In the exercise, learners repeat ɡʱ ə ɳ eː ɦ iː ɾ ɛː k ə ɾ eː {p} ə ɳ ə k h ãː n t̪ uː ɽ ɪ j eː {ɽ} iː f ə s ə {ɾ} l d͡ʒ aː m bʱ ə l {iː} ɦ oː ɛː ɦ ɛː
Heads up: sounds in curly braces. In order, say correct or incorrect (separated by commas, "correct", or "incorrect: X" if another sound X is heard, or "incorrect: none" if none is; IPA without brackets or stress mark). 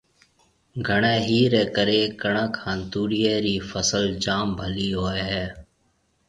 incorrect: k, incorrect: ɾ, incorrect: none, correct